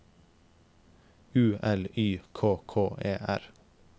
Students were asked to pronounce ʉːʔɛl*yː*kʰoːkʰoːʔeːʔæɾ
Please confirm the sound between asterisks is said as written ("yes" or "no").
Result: yes